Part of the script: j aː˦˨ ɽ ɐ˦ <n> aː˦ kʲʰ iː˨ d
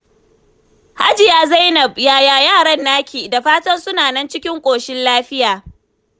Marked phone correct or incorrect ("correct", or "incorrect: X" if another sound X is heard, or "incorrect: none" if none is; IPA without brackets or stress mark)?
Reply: incorrect: nː